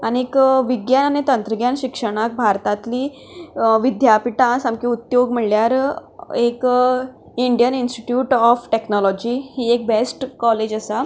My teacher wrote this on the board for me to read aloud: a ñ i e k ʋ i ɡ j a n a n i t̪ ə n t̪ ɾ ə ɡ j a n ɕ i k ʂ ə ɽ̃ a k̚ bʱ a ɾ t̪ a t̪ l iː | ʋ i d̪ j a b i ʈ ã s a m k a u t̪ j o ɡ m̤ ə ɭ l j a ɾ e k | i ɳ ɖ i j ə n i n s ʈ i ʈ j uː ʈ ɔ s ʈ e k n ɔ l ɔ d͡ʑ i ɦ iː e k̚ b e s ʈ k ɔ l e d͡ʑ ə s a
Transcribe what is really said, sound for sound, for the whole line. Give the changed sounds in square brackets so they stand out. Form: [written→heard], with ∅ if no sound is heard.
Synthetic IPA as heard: a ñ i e k ʋ i ɡ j a n a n i t̪ ə n t̪ ɾ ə ɡ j a n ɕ i k ʂ ə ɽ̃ a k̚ bʱ a ɾ t̪ a t̪ l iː | ʋ i d̪ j a [b→p] i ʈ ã s a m k [a→i] u t̪ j o ɡ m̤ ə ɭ l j a ɾ e k | i ɳ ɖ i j ə n i n s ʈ i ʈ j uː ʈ ɔ [s→f] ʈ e k n ɔ l ɔ d͡ʑ i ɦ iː e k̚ b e s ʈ k ɔ l e d͡ʑ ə s a